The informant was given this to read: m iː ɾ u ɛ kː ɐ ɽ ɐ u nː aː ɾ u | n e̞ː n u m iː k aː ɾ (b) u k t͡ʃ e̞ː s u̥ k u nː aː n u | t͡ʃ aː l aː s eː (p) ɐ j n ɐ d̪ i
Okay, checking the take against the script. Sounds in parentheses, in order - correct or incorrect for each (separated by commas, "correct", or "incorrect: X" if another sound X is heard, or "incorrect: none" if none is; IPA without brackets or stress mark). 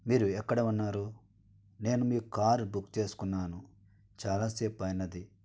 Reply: correct, correct